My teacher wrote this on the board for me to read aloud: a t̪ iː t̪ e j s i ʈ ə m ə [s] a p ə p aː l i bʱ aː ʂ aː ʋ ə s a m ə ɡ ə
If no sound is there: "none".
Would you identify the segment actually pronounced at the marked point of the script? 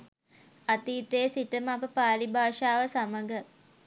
none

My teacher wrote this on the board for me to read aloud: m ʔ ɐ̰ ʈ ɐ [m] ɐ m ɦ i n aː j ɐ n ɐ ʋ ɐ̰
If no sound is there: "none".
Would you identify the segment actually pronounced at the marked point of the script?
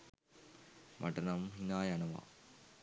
n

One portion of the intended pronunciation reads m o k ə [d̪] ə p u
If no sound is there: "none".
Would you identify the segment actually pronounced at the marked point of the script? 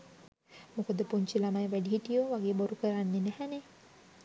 d̪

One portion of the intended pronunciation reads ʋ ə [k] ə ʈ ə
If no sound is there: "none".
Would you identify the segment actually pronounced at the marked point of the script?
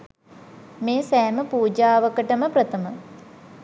k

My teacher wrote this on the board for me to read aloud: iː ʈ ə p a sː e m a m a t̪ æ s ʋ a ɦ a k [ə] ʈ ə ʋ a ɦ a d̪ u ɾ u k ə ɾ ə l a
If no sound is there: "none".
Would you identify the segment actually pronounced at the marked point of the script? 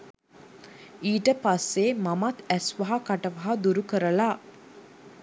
a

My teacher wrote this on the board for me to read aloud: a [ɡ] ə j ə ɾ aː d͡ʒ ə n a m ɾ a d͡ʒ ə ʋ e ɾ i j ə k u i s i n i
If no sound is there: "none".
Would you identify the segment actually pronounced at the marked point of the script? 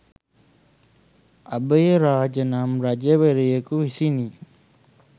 b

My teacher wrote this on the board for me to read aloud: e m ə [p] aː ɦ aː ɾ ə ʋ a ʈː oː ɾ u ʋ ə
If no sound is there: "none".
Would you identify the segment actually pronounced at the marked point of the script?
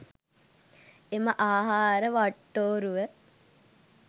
ʔ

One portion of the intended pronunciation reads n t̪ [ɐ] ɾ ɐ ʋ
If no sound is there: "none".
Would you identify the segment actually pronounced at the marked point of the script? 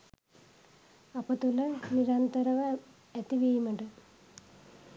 ɐ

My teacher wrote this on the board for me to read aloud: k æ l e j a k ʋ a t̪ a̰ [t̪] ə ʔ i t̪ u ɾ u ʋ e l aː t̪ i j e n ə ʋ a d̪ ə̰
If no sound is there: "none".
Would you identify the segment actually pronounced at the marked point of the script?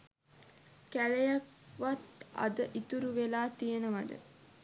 d̪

